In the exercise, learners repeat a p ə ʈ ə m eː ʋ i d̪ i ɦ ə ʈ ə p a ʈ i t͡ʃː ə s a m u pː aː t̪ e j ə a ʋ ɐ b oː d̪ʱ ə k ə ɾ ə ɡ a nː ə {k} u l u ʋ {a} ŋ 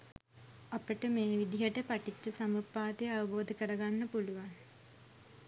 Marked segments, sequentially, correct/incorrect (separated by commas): incorrect, correct